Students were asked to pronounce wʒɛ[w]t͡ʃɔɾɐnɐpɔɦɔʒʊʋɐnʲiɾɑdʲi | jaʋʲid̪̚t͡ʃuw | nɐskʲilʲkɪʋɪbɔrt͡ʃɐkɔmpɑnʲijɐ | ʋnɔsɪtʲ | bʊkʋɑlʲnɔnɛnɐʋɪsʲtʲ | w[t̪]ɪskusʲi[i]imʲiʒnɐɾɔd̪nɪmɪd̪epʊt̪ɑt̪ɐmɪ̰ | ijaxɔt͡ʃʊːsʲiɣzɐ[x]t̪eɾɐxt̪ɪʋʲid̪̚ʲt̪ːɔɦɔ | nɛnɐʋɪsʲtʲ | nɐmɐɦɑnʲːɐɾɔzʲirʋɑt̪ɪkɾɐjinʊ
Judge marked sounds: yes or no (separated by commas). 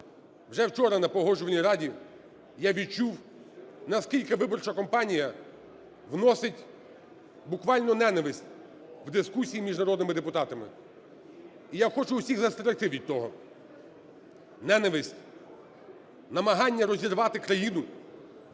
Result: yes, no, no, no